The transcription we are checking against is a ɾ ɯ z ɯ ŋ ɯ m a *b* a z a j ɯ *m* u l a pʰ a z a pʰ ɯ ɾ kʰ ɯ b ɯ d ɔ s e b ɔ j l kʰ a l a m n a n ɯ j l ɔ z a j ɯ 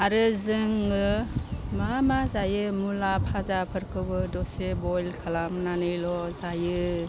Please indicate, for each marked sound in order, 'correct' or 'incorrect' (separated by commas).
incorrect, correct